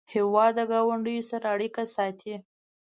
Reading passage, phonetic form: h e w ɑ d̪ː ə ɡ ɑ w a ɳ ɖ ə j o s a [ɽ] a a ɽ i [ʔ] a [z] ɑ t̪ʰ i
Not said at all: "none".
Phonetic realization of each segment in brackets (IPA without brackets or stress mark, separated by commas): ɾ, k, s